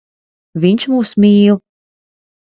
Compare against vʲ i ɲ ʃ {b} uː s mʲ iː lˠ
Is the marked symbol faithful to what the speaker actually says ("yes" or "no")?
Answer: no